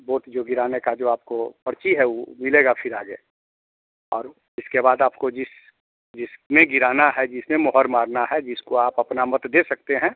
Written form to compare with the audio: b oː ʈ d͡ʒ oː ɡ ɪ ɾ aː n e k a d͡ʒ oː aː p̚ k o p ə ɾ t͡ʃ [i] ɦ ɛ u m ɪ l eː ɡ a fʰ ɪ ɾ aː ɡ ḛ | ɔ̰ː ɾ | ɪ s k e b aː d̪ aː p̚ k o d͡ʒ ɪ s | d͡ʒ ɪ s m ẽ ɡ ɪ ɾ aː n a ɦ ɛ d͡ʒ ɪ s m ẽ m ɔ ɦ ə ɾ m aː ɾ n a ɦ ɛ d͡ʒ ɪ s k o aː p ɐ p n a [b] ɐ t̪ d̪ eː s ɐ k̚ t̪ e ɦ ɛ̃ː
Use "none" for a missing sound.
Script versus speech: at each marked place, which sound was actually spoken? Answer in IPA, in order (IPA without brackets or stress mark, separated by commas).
i, m